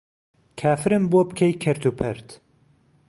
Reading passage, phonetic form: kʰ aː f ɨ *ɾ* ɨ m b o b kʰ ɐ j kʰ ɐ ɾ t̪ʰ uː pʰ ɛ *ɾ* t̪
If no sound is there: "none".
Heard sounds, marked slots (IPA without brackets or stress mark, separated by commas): ɾ, ɾ